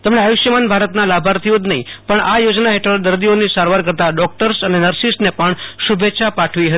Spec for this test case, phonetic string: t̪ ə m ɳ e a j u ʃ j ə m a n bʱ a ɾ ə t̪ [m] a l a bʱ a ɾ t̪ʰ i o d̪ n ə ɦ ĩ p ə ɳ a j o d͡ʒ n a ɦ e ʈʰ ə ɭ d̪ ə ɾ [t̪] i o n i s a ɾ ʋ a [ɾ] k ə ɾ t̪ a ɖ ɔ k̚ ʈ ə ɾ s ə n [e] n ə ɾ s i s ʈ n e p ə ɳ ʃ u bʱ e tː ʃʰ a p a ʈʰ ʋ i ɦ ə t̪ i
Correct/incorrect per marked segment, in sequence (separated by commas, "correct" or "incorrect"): incorrect, incorrect, correct, correct